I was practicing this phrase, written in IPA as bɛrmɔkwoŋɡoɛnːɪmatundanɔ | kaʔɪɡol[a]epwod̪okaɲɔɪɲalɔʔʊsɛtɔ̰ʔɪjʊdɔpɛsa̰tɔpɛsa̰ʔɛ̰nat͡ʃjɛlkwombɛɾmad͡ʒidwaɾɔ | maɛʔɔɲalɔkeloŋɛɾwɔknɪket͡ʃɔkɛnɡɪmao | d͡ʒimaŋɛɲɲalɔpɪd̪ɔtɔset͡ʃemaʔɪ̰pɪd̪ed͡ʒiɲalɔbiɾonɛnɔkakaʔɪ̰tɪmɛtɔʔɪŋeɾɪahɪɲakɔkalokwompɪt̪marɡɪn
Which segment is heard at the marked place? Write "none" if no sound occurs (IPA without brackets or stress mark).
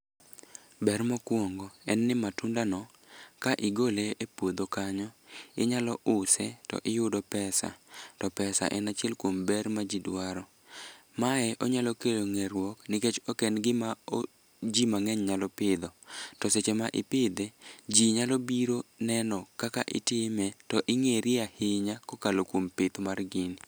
e